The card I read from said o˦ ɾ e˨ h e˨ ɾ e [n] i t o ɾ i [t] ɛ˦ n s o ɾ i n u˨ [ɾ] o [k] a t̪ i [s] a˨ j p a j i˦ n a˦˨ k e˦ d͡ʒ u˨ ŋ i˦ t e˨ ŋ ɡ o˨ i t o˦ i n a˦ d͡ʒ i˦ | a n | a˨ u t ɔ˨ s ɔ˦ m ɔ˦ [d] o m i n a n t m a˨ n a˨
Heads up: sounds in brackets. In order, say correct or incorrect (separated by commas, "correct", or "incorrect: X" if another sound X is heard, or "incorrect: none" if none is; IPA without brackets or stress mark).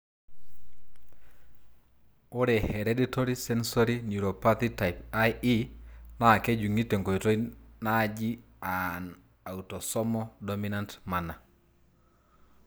incorrect: d, incorrect: s, correct, incorrect: p, incorrect: t, correct